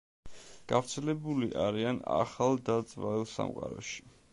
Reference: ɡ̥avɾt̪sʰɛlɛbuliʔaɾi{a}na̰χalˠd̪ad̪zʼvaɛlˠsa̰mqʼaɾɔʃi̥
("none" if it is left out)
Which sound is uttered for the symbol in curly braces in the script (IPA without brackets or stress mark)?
a